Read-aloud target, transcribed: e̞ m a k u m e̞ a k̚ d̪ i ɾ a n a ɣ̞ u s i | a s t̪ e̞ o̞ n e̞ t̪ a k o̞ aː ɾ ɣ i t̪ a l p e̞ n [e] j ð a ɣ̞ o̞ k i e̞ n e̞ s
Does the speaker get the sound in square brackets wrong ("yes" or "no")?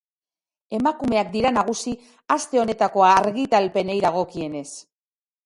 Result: no